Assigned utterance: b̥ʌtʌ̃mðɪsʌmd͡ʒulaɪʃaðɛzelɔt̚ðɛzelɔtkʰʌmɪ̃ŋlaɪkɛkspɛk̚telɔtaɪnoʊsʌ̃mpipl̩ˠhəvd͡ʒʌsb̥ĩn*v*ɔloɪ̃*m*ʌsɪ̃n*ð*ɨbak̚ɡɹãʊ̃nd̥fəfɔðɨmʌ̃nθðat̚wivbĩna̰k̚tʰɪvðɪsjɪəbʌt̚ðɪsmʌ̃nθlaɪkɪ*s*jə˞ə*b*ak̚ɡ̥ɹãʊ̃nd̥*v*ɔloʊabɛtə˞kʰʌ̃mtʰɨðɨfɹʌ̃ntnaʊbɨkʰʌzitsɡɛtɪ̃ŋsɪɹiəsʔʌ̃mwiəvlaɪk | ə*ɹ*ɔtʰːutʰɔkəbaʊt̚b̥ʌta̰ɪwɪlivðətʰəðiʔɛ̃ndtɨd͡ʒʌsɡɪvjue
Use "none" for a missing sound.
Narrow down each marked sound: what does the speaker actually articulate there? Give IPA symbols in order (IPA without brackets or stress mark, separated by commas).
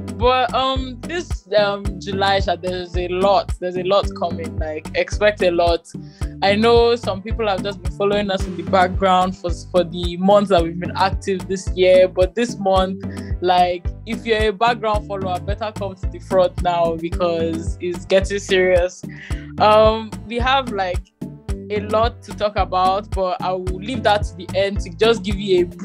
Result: f, ŋ, ð, f, b, f, l